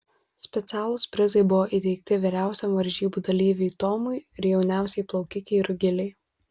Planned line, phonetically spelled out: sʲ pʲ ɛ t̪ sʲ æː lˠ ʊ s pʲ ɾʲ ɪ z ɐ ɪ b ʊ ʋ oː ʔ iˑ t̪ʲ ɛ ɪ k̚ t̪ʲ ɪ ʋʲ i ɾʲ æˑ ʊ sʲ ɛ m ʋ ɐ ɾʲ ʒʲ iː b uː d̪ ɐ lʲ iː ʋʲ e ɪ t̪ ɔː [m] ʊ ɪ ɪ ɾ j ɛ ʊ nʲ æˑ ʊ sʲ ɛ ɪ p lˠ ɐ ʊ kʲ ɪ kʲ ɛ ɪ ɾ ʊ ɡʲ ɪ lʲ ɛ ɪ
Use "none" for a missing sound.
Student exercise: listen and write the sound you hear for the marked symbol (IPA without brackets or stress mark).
m